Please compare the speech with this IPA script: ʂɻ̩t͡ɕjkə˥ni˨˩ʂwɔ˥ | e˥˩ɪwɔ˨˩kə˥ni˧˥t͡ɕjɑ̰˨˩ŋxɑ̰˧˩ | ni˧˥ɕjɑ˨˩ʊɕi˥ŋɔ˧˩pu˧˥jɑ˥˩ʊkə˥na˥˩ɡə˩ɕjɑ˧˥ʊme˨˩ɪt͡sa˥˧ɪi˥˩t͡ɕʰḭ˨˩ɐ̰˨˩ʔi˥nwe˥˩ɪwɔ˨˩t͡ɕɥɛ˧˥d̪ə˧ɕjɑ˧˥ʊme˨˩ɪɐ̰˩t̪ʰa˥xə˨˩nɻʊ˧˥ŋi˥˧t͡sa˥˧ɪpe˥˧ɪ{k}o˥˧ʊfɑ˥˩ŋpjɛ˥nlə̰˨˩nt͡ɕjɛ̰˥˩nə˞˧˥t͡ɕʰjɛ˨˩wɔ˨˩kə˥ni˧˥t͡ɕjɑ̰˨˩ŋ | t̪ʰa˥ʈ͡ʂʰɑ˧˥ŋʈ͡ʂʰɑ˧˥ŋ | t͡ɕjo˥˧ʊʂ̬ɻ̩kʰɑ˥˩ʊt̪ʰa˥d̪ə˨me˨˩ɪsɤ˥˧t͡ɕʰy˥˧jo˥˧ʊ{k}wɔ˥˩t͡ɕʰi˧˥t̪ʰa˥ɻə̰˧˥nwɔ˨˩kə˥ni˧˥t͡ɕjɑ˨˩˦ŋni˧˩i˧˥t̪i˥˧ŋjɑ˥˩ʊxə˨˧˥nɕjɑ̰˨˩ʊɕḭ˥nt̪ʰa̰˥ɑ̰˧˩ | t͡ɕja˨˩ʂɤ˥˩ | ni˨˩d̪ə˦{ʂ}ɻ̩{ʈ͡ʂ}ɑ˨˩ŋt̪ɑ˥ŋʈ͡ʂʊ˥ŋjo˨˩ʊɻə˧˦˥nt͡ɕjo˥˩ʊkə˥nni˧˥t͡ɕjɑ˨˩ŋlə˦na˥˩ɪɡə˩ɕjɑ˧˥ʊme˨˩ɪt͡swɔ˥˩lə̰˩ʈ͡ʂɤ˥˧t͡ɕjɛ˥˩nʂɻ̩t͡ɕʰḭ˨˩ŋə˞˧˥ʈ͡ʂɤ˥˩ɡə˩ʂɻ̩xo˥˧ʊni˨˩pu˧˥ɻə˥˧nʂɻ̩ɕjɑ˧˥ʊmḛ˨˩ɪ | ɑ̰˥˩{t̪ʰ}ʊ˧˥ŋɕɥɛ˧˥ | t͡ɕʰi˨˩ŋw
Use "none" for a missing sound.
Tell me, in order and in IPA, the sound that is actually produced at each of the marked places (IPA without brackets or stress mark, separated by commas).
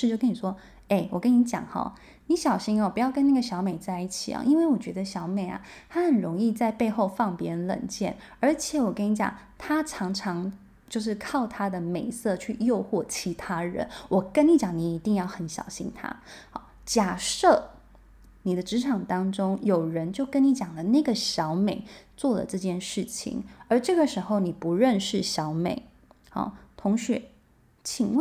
x, x, ʈ͡ʂ, ʈ͡ʂʰ, t̪ʰ